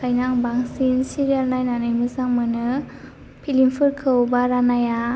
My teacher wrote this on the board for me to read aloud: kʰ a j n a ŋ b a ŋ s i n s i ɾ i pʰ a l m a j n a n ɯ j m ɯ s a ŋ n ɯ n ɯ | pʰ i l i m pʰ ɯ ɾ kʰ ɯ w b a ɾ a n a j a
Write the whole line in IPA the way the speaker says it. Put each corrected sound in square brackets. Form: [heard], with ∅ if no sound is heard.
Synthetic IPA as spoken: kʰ a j n a ŋ b a ŋ s i n s i ɾ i [∅] a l [n] a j n a n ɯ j m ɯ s a ŋ [m] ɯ n ɯ | pʰ i l i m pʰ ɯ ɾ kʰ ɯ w b a ɾ a n a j a